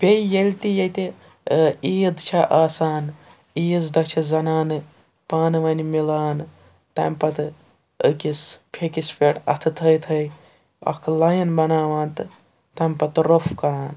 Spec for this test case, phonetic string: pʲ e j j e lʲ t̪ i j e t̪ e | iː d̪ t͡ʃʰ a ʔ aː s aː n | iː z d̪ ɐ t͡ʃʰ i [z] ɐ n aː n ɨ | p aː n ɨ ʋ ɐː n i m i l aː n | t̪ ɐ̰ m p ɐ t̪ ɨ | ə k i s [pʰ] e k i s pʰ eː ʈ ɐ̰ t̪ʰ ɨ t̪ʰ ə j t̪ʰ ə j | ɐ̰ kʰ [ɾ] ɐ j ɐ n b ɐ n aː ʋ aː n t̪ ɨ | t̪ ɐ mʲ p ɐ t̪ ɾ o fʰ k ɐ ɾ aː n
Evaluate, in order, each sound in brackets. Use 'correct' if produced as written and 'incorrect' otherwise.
correct, correct, incorrect: l

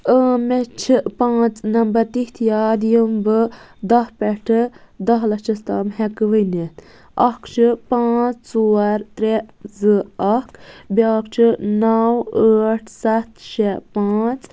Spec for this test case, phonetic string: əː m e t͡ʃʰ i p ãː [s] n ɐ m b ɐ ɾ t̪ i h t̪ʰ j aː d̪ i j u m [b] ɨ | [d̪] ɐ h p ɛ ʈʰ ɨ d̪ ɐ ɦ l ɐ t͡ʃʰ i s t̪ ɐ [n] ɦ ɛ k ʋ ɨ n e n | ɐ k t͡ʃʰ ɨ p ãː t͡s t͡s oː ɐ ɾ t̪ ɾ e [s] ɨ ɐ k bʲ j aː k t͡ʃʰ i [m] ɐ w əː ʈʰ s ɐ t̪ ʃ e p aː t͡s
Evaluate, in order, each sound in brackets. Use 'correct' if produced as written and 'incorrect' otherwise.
incorrect: t͡s, correct, correct, incorrect: m, incorrect: z, incorrect: n

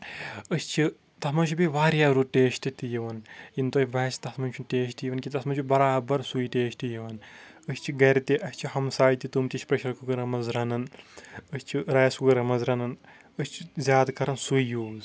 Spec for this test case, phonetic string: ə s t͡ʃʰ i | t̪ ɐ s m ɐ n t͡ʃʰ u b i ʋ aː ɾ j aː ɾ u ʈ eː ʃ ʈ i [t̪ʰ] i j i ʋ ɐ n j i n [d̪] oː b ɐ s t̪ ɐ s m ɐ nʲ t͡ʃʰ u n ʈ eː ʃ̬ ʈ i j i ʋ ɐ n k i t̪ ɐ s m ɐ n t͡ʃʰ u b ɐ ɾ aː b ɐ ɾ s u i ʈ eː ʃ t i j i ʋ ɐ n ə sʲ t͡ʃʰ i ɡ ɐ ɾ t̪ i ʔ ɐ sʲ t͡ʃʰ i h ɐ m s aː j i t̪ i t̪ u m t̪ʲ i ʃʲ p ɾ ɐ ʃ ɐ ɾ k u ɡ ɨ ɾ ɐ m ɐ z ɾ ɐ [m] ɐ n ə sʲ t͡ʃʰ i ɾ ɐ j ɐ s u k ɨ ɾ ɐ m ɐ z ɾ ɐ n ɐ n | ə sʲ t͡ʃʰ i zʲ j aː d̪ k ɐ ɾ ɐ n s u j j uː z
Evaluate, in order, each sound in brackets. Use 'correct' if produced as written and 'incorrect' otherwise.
incorrect: t̪, incorrect: t̪, incorrect: n

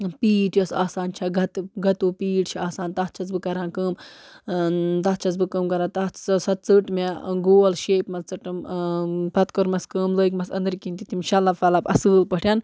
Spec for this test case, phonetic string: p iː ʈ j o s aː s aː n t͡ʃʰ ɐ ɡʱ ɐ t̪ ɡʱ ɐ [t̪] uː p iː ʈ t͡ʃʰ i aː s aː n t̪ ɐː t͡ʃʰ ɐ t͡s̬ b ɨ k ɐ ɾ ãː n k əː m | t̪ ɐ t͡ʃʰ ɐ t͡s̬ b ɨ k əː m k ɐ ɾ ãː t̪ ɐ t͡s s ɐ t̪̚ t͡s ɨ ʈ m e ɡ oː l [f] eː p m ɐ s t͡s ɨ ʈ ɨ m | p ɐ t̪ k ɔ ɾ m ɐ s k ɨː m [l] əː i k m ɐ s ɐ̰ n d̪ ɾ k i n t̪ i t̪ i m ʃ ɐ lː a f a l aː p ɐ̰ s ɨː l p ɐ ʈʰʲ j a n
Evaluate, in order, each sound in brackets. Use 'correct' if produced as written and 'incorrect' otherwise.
correct, incorrect: ʃ, correct

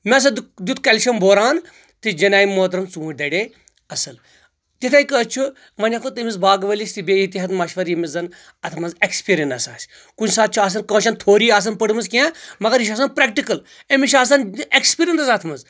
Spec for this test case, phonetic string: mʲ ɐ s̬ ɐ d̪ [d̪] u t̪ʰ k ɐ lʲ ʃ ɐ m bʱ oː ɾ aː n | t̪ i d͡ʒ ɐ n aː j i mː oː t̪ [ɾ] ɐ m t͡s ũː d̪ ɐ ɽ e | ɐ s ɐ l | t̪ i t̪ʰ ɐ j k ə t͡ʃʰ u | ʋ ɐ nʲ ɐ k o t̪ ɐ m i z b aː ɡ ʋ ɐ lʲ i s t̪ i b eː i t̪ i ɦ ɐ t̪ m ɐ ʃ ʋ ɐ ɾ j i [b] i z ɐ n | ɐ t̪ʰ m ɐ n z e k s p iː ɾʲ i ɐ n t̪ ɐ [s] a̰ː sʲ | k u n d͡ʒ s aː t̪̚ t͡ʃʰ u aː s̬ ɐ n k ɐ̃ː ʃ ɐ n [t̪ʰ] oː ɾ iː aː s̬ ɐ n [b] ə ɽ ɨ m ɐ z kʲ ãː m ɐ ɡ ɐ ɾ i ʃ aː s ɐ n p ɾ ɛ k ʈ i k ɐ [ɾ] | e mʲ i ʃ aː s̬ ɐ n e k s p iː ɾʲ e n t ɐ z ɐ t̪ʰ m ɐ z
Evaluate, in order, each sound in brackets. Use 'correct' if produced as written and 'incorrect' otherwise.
correct, correct, incorrect: m, correct, correct, incorrect: p, incorrect: l

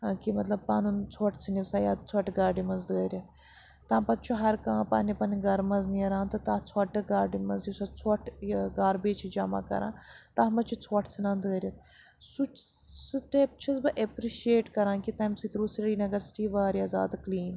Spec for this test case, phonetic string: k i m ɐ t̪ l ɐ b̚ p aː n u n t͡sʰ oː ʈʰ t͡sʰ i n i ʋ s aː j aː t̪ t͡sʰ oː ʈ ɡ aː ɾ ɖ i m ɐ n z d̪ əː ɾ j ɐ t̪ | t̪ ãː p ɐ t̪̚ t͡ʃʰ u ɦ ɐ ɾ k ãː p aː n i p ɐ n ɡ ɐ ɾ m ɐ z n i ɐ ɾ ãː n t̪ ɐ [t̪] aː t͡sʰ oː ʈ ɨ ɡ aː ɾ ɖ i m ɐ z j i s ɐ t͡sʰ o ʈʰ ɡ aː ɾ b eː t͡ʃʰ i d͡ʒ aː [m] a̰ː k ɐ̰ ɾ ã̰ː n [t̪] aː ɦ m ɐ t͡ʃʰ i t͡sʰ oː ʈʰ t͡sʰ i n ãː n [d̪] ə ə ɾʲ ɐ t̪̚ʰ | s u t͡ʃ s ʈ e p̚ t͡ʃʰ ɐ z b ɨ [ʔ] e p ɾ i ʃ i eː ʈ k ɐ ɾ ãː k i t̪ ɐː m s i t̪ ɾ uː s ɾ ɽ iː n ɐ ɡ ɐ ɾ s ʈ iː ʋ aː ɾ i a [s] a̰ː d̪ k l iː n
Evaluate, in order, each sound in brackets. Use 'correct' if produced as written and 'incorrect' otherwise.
correct, correct, correct, correct, correct, incorrect: z

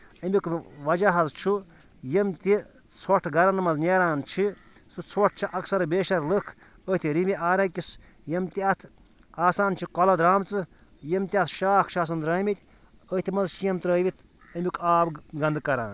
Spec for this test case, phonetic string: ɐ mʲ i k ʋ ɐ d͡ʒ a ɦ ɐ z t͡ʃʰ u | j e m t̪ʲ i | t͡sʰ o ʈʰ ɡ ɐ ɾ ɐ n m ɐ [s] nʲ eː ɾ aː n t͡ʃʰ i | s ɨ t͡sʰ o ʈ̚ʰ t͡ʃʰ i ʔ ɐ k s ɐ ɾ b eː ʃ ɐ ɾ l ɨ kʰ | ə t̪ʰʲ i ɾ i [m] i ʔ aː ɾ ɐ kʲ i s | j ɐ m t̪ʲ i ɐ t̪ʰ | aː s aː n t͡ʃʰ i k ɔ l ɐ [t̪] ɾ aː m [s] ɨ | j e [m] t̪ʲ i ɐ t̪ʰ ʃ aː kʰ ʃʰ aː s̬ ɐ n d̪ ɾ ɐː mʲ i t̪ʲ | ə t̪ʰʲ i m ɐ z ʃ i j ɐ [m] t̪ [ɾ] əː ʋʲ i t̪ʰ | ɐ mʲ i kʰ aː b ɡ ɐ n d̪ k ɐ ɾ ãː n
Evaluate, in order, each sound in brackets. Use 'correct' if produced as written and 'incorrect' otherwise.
incorrect: z, correct, incorrect: d̪, incorrect: t͡s, correct, correct, correct

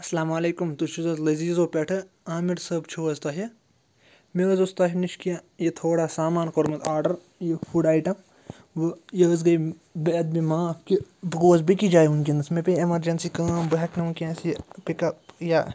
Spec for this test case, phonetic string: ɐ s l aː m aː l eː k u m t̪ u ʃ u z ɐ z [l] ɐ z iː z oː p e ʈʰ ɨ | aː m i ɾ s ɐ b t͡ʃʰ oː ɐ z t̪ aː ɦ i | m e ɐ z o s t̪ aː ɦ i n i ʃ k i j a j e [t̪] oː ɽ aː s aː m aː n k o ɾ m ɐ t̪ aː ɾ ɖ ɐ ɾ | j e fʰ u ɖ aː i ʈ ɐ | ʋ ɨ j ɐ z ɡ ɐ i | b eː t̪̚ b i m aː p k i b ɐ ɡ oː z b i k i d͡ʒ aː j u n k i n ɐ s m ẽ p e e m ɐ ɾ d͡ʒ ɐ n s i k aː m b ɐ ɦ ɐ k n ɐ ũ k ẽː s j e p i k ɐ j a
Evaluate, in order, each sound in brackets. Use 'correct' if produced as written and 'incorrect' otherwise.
correct, incorrect: t̪ʰ

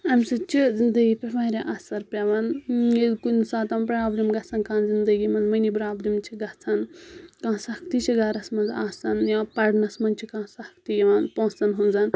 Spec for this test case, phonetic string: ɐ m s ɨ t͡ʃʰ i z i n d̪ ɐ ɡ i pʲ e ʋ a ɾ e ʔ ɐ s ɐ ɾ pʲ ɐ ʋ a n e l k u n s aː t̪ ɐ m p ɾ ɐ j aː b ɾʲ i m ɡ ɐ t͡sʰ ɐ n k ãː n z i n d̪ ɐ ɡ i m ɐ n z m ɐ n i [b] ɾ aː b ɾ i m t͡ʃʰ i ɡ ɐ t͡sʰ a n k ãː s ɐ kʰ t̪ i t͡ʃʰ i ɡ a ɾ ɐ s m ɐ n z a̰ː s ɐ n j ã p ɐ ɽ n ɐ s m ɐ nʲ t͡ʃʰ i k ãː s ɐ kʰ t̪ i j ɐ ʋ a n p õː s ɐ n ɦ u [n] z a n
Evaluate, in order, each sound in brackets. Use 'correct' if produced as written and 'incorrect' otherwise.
correct, correct

